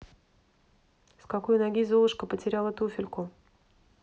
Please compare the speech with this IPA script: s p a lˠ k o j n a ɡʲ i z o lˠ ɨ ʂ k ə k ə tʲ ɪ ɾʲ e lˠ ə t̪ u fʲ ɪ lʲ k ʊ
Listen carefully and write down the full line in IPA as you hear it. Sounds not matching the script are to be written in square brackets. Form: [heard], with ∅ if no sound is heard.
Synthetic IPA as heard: s [k] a [∅] k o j n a ɡʲ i z o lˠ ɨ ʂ k ə [p] ə tʲ ɪ ɾʲ [a] lˠ ə t̪ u fʲ ɪ lʲ k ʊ